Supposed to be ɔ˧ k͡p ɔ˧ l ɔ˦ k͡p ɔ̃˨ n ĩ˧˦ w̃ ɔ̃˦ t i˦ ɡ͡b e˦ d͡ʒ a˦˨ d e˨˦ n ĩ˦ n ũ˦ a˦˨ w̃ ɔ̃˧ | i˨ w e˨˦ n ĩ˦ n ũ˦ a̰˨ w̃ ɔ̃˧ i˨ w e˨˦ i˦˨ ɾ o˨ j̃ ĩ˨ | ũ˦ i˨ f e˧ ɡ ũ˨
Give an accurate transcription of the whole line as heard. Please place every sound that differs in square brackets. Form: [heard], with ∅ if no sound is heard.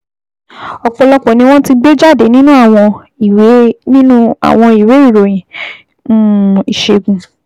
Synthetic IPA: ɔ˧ k͡p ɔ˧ l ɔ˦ k͡p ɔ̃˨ n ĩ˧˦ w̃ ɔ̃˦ t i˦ ɡ͡b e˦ d͡ʒ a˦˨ d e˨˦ n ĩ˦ n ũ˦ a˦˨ w̃ ɔ̃˧ | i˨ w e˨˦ n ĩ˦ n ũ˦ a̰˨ w̃ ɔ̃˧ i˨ w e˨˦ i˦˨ ɾ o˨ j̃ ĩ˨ | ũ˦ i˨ [ʃ] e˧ ɡ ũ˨